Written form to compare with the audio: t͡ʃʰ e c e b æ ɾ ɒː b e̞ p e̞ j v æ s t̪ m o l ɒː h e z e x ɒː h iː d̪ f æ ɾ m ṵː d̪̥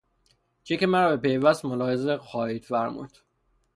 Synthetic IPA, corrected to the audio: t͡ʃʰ e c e m æ ɾ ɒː b e̞ p e̞ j v æ s t̪ m o l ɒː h e z e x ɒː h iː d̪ f æ ɾ m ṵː d̪̥